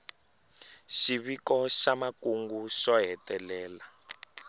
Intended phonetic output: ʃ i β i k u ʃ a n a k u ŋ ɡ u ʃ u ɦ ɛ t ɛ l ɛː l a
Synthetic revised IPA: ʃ i β i k ɔ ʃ a m a k u ŋ ɡ u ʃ ɔ ɦ ɛ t ɛ l ɛː l a

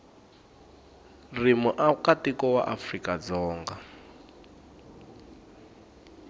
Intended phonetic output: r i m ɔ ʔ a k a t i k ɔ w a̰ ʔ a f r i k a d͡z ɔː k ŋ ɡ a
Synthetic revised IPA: r i m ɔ ʔ a k a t i k ɔ w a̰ ʔ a f r i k a d͡z ɔː ŋ ɡ a

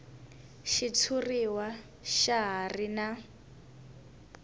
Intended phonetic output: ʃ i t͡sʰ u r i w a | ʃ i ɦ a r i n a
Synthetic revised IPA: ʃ i t͡sʰ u r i w a | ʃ a ɦ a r i n a

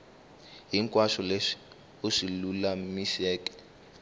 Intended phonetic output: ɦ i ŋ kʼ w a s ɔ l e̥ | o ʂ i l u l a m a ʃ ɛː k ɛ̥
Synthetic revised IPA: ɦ i ŋ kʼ w a ʃ ɔ l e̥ | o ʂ i l u l a m i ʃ ɛː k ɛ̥

